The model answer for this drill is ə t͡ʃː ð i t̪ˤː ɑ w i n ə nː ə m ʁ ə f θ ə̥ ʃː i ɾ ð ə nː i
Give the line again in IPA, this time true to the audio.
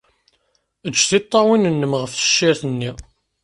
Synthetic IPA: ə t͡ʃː θ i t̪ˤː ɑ w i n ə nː ə m ʁ ə f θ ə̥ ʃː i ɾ θ ə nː i